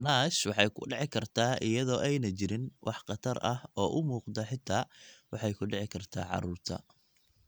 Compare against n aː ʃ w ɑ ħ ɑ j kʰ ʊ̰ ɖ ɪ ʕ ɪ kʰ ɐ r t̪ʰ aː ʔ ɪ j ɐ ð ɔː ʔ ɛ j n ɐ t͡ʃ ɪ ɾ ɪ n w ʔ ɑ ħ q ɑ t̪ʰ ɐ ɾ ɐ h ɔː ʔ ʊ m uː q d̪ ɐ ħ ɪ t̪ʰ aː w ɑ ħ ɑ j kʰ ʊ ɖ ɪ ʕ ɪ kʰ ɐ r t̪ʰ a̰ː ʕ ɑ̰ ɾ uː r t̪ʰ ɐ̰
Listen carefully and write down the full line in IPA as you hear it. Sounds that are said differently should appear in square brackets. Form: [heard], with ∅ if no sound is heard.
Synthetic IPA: n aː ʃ w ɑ ħ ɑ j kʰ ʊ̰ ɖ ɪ ʕ ɪ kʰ ɐ r t̪ʰ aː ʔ ɪ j ɐ ð ɔː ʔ ɛ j n ɐ t͡ʃ ɪ ɾ ɪ n w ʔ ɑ ħ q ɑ t̪ʰ ɐ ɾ ɐ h ɔː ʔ ʊ m uː q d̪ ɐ ħ ɪ t̪ʰ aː w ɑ ħ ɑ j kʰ ʊ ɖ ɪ ʕ ɪ kʰ ɐ r t̪ʰ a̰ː ʕ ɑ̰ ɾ uː r t̪ʰ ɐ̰